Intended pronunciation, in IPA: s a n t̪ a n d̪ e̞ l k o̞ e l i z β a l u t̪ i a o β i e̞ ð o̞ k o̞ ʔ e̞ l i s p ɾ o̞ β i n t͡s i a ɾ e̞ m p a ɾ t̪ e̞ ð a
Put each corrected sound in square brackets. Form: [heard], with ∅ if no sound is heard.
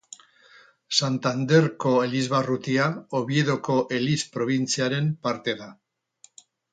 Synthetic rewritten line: s a n t̪ a n d̪ e̞ [ɾ] k o̞ e l i z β a [r] u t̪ i a o β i e̞ ð o̞ k o̞ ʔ e̞ l i s p ɾ o̞ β i n t͡s i a ɾ e̞ m p a ɾ t̪ e̞ ð a